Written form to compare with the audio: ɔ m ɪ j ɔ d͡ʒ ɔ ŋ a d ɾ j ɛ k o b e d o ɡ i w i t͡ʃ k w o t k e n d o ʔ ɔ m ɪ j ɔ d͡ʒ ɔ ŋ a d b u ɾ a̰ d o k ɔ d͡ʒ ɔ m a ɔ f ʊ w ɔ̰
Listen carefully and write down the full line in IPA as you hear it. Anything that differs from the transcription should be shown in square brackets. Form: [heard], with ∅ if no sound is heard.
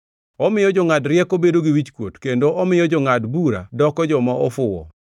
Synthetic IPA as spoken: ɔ m ɪ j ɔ d͡ʒ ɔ ŋ a d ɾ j ɛ k o b e d o ɡ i w i t͡ʃ k w o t k e n d o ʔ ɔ m ɪ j ɔ d͡ʒ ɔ ŋ a d b u ɾ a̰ d [ɔ] k ɔ d͡ʒ ɔ m a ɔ f ʊ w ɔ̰